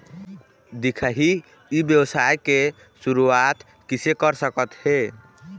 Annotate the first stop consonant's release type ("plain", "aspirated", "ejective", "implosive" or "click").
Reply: plain